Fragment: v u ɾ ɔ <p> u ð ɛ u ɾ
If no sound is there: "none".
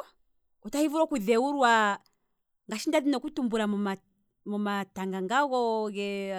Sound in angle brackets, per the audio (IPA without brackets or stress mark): k